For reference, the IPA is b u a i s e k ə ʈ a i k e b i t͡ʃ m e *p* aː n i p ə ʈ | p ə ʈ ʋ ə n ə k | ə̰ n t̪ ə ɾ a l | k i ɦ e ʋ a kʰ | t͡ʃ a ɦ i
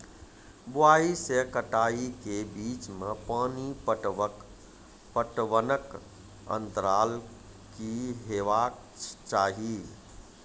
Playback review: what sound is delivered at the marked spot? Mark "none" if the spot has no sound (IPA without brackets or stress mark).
p